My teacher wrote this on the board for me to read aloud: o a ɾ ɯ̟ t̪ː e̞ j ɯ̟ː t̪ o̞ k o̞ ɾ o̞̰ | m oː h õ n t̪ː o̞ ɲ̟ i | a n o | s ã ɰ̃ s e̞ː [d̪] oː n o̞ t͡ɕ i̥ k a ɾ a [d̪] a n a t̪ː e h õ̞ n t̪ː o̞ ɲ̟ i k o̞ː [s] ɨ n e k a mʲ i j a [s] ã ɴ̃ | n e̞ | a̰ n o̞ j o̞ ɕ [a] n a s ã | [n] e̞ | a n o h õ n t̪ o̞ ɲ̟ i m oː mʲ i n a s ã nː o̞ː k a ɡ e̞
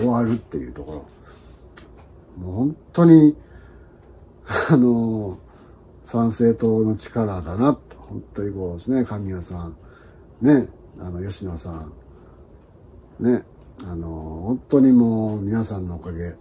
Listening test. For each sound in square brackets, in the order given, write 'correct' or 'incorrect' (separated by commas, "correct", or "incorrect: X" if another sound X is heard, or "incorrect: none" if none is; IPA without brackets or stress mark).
incorrect: t̪, correct, correct, correct, incorrect: i, correct